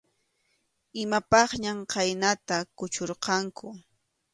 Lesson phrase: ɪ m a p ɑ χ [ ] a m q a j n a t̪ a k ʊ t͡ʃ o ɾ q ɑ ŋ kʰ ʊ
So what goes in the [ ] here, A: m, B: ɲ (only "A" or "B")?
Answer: B